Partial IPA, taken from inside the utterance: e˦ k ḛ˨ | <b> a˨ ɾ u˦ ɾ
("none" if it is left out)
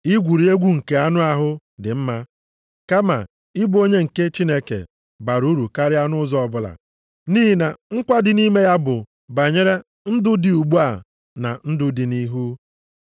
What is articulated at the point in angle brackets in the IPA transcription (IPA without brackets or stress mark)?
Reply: b